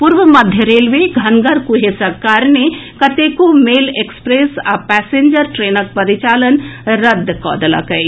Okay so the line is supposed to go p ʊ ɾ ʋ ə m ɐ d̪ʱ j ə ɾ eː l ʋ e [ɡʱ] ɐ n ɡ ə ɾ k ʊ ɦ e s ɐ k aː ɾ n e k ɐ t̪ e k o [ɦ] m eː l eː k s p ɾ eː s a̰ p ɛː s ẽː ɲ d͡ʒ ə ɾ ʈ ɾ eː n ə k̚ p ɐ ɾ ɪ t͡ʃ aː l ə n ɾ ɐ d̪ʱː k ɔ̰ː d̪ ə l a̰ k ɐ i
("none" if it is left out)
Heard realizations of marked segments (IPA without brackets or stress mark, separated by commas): ɡʱ, none